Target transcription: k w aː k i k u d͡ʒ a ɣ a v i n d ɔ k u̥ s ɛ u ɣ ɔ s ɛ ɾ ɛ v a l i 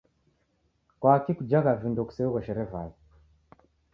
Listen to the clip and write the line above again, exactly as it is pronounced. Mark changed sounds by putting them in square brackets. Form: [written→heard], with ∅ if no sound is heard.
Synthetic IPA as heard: k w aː k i k u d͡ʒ a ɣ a v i n d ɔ k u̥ s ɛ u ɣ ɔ [s→ʃ] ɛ ɾ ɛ v a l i